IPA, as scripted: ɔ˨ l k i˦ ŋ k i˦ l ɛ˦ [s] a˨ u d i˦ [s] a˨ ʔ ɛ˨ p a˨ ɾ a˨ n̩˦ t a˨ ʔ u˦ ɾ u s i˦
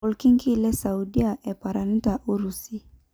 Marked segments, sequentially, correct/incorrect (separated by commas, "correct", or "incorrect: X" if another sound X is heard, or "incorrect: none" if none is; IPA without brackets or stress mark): correct, incorrect: none